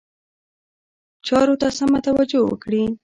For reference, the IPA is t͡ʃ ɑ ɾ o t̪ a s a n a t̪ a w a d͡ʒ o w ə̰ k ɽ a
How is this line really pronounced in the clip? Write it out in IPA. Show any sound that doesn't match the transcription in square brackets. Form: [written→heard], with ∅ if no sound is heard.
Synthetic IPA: t͡ʃ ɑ ɾ o t̪ a s a [n→m] a t̪ a w a d͡ʒ o w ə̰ k ɽ [a→i]